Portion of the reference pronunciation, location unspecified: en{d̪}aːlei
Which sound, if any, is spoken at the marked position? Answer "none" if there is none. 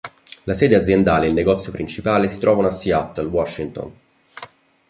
d̪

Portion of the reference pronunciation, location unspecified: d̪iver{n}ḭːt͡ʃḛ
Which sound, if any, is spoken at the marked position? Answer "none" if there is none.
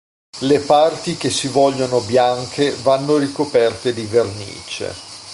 n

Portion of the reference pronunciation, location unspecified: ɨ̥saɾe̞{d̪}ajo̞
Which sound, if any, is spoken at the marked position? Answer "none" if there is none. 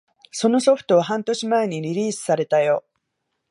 t̪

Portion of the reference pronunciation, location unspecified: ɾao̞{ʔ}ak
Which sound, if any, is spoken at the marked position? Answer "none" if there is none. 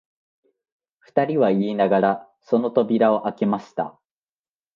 ʔ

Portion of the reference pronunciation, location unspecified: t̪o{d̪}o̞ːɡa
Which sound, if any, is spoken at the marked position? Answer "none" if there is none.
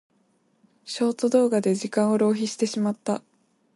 d̪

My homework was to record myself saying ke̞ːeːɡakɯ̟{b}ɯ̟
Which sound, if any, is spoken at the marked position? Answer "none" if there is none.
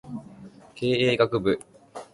b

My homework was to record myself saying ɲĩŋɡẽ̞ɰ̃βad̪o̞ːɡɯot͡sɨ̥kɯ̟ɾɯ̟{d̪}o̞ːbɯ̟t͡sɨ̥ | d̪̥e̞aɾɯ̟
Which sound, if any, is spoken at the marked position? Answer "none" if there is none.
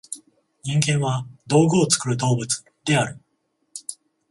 d̪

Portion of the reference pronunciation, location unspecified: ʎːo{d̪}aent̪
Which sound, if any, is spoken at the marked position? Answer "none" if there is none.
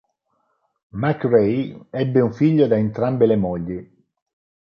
d̪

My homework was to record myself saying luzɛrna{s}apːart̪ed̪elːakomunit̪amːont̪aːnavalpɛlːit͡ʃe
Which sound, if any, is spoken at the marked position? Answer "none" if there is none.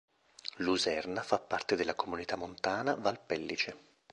f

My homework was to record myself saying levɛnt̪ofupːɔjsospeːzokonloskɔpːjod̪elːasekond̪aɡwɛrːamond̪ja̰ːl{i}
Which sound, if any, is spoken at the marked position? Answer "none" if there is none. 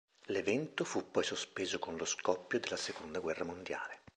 e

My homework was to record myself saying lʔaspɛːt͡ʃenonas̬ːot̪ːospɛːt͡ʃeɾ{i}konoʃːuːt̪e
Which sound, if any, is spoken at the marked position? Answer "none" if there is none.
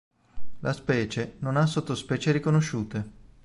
i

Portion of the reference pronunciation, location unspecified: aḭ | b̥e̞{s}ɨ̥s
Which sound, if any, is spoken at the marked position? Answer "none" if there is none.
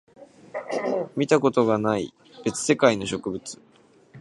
t͡s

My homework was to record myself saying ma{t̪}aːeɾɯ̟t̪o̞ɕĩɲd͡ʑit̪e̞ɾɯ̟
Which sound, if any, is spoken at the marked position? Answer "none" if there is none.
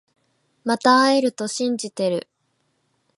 t̪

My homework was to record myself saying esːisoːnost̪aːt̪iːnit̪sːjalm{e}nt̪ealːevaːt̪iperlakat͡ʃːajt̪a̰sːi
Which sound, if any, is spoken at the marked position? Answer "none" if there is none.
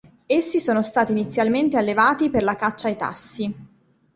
e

